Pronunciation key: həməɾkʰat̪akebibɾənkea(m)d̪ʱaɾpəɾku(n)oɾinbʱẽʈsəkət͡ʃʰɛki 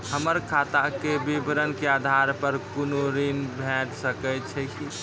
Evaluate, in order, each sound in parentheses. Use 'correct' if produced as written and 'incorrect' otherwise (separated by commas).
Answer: incorrect, correct